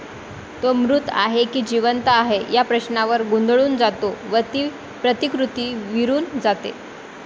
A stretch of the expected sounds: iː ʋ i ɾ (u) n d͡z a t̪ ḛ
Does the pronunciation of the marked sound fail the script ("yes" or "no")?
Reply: yes